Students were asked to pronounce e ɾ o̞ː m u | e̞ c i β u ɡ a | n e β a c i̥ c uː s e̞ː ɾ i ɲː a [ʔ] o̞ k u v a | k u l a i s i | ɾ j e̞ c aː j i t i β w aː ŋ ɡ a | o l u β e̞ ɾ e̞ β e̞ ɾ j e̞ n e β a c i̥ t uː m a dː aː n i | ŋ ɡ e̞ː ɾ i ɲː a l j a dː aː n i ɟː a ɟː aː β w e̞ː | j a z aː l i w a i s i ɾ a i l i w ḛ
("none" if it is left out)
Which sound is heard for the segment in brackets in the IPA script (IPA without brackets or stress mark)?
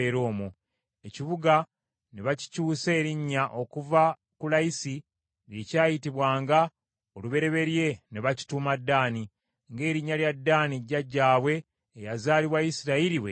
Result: ʔ